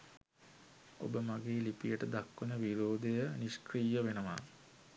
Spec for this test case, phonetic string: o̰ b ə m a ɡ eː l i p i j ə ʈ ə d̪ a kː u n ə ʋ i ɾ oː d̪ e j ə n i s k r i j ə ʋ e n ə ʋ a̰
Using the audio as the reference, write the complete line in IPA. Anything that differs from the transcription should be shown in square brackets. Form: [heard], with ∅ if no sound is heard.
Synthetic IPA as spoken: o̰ b ə m a ɡ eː l i p i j ə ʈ ə d̪ a kː u n ə ʋ i ɾ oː d̪ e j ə n i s k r i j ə ʋ e n ə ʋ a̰